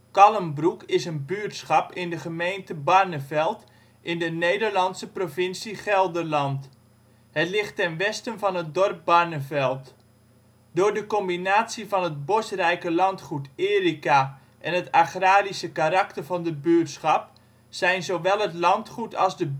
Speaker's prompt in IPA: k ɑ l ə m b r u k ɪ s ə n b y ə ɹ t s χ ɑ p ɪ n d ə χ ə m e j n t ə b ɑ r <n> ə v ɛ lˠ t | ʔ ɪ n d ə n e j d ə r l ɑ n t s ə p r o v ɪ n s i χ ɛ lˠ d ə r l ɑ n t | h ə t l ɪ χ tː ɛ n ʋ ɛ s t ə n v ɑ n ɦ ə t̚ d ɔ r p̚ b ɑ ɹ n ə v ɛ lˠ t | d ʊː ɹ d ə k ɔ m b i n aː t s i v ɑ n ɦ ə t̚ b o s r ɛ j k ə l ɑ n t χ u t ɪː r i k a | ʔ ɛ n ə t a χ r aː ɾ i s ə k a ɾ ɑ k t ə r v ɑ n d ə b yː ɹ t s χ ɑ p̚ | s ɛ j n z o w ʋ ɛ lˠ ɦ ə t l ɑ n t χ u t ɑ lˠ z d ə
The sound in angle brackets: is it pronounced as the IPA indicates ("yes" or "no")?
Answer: yes